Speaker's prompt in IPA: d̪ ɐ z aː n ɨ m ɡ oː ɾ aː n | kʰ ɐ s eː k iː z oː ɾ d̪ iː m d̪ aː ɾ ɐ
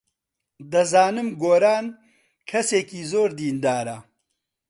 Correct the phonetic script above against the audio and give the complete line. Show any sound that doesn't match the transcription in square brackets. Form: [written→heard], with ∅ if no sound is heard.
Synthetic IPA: d̪ ɐ z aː n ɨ m ɡ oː ɾ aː n | kʰ ɐ s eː k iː z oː ɾ d̪ iː [m→n] d̪ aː ɾ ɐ